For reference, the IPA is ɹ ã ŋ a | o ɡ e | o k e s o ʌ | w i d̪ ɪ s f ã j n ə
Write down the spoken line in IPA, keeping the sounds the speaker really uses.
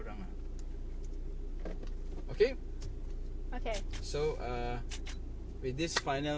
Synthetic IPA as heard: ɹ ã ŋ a | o k e | o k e s o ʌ | w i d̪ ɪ s f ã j n ə